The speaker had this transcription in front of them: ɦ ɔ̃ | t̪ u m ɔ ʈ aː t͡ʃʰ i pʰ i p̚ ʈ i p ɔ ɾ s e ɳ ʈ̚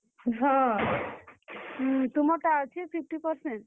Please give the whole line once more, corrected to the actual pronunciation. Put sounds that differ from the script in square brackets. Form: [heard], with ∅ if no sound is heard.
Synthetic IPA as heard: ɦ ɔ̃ | t̪ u m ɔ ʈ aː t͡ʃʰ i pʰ i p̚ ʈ i p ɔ ɾ s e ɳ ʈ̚